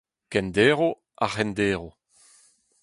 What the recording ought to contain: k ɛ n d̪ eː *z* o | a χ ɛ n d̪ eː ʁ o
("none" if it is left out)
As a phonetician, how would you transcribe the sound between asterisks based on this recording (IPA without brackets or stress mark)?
ʁ